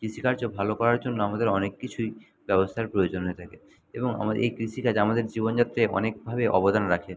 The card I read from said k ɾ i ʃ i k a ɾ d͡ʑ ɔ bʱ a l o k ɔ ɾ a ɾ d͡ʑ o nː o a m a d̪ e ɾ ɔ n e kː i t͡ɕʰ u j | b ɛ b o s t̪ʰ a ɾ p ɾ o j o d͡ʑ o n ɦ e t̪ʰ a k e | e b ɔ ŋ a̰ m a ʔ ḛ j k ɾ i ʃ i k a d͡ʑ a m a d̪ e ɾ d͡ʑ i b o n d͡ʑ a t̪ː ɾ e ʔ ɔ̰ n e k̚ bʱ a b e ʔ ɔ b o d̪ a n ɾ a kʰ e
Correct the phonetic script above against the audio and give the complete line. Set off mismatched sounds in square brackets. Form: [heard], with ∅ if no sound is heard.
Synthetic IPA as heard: k ɾ i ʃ i k a ɾ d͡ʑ [o] bʱ a l o k ɔ ɾ a ɾ d͡ʑ o nː o a m a d̪ e ɾ ɔ n e kː i t͡ɕʰ u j | b ɛ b o s t̪ʰ a ɾ p ɾ o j o d͡ʑ o n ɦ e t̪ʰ a k e | e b [o] ŋ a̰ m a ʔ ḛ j k ɾ i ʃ i k a d͡ʑ a m a d̪ e ɾ d͡ʑ i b o n d͡ʑ a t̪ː ɾ e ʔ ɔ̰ n e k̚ bʱ a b e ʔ ɔ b o d̪ a n ɾ a kʰ e